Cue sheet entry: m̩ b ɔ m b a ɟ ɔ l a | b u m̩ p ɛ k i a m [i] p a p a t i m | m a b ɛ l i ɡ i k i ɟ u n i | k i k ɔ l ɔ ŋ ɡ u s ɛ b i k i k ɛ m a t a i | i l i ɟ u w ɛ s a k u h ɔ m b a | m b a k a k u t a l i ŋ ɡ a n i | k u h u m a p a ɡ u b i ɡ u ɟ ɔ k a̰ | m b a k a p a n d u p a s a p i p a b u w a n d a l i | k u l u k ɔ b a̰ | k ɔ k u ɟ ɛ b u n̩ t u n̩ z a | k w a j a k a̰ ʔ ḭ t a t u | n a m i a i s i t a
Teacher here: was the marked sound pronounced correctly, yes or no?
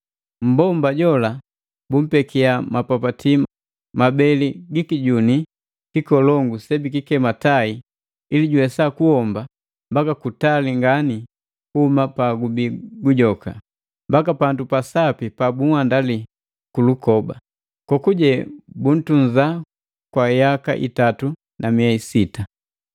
no